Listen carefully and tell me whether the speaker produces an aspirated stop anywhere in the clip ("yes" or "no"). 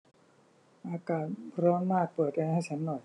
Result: yes